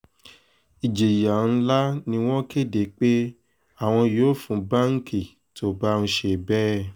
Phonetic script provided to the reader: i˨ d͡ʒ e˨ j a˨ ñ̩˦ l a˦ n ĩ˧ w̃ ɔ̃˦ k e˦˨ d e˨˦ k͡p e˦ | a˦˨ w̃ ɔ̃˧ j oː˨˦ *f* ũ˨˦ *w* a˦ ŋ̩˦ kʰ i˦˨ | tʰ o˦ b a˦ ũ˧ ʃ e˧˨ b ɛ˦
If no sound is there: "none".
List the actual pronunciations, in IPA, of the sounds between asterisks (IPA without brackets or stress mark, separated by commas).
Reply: f, b